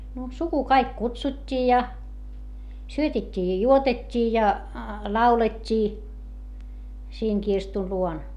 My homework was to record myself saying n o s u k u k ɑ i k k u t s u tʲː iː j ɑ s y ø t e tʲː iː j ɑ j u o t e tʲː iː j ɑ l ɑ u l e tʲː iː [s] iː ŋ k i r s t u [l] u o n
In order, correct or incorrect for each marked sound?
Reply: correct, correct

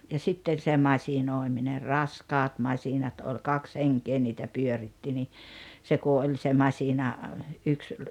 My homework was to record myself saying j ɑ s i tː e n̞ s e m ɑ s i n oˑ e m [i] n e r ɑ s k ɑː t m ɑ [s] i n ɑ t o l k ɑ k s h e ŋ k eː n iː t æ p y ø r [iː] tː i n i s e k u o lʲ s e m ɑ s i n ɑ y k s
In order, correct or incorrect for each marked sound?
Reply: correct, correct, incorrect: i

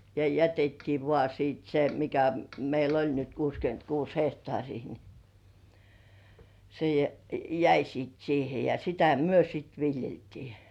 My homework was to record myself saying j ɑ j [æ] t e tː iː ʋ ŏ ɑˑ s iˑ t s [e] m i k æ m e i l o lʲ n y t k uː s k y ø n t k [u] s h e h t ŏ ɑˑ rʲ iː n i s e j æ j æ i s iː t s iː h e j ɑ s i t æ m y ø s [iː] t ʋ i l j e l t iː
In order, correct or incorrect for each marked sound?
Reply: correct, correct, incorrect: uː, incorrect: i

